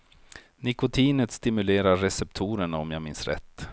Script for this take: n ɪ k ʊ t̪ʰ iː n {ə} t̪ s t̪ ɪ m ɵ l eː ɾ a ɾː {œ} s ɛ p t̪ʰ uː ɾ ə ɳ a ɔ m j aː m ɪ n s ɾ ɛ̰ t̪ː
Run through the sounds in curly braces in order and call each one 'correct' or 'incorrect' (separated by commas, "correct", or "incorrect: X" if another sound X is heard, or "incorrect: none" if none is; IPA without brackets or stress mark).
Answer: correct, incorrect: ɛ